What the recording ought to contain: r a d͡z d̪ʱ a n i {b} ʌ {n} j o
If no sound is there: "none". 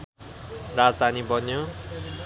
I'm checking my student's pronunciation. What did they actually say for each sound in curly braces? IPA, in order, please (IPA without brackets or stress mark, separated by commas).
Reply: b, n